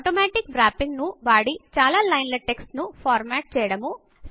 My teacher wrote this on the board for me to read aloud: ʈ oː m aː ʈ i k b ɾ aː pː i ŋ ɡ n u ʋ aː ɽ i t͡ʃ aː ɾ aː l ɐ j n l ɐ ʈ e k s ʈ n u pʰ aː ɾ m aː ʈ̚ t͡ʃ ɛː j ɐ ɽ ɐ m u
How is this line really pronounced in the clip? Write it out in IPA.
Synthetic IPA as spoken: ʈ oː m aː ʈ i k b ɾ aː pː i ŋ ɡ n u ʋ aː ɽ i t͡ʃ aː l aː l ɐ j n l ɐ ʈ e k s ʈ n u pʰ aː ɾ m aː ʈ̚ t͡ʃ ɛː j ɐ ɽ ɐ m u